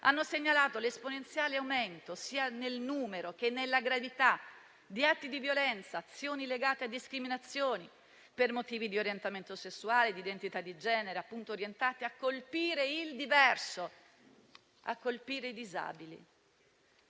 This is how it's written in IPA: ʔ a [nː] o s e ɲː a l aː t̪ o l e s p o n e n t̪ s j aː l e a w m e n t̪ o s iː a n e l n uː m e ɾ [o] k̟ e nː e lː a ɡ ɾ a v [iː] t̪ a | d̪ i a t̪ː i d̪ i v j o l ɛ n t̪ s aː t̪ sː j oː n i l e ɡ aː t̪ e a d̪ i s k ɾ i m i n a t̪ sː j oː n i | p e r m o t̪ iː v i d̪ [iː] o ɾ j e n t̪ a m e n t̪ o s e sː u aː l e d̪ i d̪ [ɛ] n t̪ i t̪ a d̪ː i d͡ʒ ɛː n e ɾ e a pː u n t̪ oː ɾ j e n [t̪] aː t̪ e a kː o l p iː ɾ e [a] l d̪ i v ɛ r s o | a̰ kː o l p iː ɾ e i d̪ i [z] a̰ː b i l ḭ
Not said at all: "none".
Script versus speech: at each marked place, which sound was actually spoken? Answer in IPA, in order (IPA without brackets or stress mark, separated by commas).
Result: nː, o, i, i, e, t̪, i, z